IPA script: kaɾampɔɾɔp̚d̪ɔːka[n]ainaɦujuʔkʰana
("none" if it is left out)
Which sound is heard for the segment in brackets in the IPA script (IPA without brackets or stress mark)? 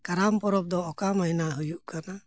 m